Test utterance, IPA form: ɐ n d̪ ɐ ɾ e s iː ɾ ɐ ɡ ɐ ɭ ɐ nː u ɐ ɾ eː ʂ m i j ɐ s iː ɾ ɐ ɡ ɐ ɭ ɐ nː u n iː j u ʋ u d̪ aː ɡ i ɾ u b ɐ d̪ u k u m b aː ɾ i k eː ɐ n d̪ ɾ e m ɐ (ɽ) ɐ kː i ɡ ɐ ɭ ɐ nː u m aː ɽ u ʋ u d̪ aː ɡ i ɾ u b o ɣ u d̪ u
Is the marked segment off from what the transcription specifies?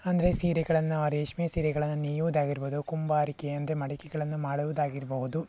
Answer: no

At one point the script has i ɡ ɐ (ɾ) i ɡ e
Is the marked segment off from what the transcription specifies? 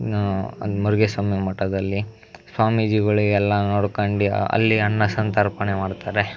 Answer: yes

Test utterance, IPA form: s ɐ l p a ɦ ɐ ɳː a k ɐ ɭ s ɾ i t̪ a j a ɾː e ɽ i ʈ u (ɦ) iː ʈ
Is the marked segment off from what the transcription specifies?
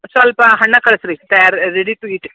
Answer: yes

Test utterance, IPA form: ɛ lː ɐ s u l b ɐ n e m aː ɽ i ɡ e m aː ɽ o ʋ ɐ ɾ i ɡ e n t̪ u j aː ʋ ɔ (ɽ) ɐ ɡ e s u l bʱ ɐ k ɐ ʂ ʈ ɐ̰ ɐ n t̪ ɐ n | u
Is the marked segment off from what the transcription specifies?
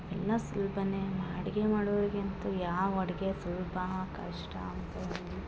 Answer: no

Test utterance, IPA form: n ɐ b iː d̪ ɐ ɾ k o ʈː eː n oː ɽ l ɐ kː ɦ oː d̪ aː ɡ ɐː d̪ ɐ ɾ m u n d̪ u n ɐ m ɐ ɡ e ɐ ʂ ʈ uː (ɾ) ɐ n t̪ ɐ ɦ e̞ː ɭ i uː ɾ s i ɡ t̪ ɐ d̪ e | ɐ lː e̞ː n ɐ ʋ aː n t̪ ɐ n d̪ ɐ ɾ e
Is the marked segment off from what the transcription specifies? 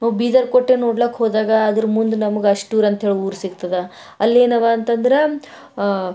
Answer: no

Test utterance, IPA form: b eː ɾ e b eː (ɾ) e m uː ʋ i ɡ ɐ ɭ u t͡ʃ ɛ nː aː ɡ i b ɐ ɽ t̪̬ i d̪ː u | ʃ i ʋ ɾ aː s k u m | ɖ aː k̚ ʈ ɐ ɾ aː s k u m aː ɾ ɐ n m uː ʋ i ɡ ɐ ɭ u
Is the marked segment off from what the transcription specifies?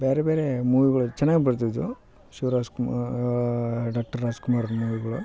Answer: no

